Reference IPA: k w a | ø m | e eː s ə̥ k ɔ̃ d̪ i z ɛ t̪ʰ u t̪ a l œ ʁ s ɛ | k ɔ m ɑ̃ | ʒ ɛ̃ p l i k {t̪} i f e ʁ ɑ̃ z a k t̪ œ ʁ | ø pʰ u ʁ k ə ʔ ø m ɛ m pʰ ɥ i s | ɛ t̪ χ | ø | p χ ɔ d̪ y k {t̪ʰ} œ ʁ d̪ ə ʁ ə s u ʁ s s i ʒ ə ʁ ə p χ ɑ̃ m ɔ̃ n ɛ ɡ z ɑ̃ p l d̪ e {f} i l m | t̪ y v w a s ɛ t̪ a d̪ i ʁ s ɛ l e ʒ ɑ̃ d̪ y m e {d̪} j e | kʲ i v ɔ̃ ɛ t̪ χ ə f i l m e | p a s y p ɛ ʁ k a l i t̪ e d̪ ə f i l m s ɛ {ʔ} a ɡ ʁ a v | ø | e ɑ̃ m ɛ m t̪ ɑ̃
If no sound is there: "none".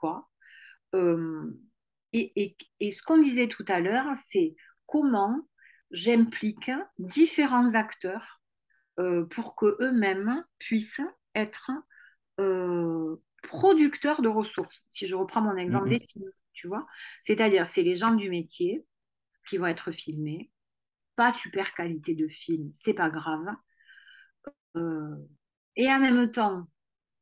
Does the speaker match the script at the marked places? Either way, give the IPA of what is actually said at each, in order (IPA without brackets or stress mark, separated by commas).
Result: d̪, t̪, f, t̪, p